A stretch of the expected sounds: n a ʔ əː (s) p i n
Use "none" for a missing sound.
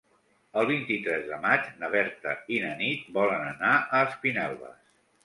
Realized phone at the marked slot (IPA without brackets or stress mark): s